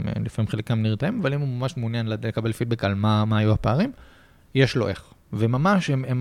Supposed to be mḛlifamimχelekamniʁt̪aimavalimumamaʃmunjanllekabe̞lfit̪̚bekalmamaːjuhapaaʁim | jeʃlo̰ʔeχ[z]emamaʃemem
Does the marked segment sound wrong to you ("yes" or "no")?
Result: yes